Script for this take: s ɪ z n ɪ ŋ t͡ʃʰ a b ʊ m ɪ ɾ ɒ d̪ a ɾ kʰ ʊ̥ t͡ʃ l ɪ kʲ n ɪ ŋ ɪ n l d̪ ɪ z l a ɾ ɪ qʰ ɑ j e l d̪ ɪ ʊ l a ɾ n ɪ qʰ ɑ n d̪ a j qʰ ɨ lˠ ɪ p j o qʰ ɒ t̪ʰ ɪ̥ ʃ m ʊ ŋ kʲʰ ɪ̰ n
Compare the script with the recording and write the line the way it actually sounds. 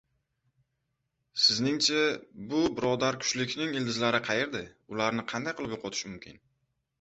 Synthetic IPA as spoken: s ɪ z n ɪ ŋ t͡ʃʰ a b ʊ b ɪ ɾ ɒ d̪ a ɾ kʰ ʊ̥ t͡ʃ l ɪ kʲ n ɪ ŋ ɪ l d̪ ɪ z l a ɾ ɪ qʰ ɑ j e ɾ d̪ ɪ ʊ l a ɾ n ɪ qʰ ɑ n d̪ a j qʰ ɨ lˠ ɪ p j o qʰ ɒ t̪ʰ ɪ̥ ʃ m ʊ m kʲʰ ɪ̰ n